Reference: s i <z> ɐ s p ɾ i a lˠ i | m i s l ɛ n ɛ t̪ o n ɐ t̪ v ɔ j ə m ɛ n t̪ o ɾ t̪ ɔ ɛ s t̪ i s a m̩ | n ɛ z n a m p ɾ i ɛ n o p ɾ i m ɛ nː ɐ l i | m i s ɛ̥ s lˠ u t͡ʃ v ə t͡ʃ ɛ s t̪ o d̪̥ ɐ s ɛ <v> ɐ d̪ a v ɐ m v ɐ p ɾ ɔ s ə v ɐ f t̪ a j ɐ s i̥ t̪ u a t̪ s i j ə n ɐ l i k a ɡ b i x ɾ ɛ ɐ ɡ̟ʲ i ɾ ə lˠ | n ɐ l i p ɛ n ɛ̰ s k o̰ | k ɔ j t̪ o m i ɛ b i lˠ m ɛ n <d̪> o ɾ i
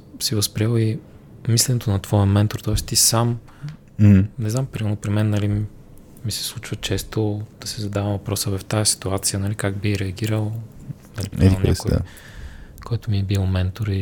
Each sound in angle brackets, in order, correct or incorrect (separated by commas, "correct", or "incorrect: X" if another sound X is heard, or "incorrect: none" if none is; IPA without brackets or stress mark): incorrect: v, incorrect: z, incorrect: t̪